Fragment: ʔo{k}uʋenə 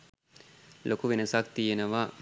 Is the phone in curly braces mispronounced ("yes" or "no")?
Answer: no